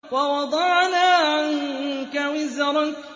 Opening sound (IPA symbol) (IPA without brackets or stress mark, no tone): w